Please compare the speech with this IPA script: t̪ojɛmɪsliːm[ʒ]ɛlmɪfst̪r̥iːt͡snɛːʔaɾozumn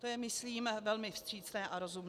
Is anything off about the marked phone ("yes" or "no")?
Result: yes